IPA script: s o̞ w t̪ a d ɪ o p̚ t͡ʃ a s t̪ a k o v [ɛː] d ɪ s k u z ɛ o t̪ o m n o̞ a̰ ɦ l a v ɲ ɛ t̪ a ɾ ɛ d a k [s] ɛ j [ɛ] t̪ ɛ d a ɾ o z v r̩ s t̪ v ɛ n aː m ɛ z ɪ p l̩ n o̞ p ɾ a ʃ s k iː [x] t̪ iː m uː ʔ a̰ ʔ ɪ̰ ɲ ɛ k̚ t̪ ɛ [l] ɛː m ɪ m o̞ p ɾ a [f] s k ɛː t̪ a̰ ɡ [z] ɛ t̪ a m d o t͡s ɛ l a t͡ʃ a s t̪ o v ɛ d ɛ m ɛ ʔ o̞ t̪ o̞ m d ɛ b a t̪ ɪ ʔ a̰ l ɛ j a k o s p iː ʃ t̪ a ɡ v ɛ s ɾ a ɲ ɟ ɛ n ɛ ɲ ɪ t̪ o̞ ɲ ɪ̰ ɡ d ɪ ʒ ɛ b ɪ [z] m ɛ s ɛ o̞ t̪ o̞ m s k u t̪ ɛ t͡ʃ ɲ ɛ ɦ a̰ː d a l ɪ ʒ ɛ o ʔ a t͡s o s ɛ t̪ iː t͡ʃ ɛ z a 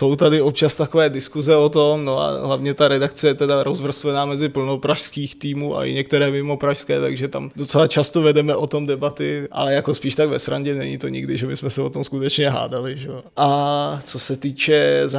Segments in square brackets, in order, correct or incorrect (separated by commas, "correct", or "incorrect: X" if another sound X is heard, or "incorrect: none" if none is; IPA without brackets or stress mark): correct, incorrect: t͡s, correct, correct, incorrect: ɾ, incorrect: ʃ, incorrect: ʒ, incorrect: s